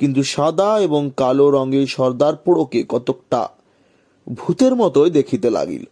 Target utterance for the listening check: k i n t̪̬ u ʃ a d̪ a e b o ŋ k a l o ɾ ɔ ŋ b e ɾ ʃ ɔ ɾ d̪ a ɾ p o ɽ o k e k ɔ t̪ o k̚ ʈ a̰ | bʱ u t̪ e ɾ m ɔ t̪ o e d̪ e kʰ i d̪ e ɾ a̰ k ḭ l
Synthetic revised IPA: k i n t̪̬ u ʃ a d̪ a e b o ŋ k a l o ɾ ɔ ŋ ɡ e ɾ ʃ ɔ ɾ d̪ a ɾ p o ɽ o k e k ɔ t̪ o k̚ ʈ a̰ | bʱ u t̪ e ɾ m ɔ t̪ o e d̪ e kʰ i t̪ e l a̰ ɡ ḭ l